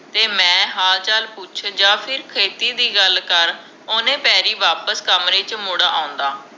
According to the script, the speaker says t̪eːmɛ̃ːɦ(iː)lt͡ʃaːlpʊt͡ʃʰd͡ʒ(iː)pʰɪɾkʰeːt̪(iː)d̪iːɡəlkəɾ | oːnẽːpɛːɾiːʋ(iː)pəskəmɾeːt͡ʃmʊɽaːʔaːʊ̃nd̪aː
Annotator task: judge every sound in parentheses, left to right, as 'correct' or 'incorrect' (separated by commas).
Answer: incorrect, incorrect, correct, incorrect